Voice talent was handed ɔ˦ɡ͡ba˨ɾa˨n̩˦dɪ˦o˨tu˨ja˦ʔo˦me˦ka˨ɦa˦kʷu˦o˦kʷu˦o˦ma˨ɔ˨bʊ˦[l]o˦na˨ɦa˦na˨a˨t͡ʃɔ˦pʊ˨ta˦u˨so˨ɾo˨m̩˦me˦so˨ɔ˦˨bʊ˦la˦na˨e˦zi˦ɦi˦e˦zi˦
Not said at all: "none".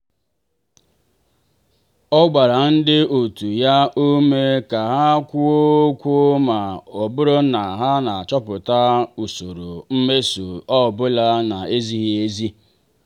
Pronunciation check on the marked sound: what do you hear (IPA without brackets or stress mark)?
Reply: ɾ